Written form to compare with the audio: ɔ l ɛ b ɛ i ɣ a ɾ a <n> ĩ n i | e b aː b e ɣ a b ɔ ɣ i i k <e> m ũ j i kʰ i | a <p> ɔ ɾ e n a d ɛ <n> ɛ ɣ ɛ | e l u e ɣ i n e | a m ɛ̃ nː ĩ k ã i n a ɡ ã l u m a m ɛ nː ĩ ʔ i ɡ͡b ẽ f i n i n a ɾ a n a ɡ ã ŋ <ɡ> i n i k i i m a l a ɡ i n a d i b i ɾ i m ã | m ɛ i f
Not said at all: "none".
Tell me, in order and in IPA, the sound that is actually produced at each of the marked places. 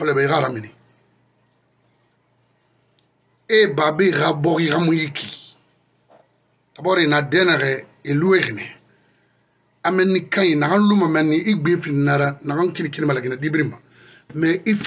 m, a, b, n, k

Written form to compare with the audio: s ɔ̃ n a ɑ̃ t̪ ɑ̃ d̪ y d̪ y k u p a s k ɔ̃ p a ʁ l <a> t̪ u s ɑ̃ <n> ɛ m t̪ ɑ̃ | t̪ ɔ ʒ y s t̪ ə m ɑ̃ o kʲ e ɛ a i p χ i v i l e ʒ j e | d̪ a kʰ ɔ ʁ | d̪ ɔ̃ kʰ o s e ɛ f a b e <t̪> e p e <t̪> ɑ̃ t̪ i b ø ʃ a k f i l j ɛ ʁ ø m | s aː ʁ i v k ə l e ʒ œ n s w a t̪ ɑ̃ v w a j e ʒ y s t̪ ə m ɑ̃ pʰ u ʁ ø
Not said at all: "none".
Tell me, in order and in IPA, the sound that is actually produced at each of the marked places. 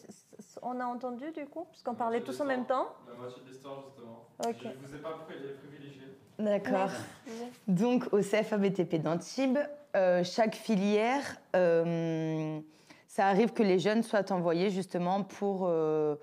ɛ, m, t̪, d̪

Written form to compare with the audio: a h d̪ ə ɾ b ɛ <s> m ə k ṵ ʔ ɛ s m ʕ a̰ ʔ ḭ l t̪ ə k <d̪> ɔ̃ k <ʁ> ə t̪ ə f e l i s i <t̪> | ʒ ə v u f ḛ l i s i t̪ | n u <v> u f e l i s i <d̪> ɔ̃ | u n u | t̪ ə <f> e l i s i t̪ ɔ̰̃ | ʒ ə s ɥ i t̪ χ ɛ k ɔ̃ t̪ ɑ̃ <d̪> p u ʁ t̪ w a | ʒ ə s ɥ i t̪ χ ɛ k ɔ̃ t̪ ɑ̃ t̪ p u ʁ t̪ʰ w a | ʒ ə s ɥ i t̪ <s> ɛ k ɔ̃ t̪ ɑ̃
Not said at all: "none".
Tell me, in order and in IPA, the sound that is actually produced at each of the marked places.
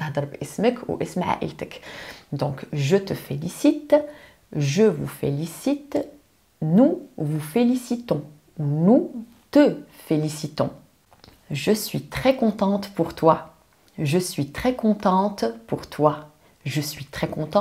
s, d̪, ʒ, t̪, v, t̪, f, t̪, χ

